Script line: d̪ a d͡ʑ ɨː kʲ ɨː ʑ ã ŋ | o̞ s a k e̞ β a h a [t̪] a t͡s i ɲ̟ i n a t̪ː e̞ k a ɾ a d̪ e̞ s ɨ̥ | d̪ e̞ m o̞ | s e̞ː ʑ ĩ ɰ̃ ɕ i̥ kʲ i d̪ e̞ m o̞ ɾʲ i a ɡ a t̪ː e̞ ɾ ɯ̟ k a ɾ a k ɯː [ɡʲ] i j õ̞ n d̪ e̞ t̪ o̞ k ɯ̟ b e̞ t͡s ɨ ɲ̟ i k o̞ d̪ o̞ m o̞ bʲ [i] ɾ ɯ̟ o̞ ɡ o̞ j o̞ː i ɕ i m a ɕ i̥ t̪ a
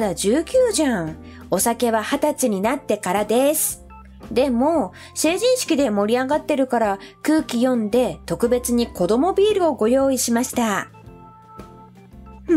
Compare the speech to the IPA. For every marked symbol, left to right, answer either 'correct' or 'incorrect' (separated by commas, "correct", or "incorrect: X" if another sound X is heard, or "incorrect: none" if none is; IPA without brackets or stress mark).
correct, incorrect: kʲ, incorrect: iː